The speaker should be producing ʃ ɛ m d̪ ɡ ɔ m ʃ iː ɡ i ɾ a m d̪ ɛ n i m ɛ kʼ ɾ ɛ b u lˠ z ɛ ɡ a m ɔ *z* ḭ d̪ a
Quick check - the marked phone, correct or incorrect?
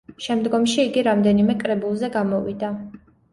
incorrect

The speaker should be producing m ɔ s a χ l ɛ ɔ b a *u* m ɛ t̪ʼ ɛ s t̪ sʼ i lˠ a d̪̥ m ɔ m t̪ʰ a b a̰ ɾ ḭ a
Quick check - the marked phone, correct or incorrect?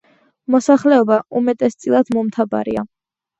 correct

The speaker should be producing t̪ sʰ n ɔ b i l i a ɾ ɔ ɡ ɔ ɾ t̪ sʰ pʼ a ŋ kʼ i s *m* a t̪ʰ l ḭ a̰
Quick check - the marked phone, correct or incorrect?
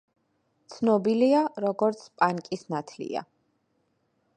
incorrect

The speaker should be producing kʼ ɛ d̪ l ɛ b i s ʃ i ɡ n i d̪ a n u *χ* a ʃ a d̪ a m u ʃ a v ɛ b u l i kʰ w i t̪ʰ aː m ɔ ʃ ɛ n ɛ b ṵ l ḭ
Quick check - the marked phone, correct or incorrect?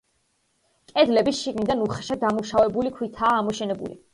correct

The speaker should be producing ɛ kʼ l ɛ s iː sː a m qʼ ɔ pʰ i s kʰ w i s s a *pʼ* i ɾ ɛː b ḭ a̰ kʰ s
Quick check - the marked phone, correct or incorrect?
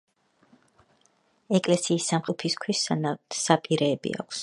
correct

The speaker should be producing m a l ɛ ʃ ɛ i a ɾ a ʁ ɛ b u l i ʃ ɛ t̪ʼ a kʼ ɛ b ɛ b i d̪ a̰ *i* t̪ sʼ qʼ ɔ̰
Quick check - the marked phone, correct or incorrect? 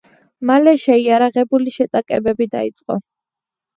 correct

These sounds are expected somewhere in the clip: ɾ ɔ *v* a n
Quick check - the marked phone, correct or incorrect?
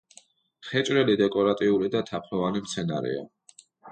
correct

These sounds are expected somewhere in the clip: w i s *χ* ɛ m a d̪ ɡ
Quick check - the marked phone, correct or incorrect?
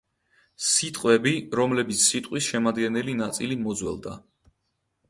incorrect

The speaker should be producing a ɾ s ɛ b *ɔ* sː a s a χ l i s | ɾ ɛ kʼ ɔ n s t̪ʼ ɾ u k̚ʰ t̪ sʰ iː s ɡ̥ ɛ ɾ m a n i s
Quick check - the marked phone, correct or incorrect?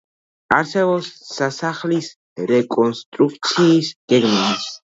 correct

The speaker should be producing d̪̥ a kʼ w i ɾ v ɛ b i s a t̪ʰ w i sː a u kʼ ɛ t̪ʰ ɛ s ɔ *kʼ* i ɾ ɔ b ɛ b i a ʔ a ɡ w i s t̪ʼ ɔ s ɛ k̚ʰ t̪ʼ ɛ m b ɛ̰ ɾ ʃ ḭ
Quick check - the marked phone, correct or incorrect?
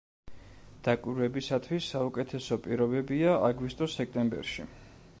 incorrect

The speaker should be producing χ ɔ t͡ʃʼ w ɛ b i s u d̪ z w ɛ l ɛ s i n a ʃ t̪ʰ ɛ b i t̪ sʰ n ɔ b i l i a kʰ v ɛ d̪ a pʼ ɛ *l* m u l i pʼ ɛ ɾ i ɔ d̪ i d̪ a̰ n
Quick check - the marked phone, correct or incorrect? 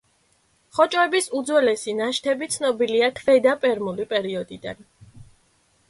incorrect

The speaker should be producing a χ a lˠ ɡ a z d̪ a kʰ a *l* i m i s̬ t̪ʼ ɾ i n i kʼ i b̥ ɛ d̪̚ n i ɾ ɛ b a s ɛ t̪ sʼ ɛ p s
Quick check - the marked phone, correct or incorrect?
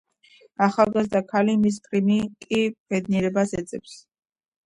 correct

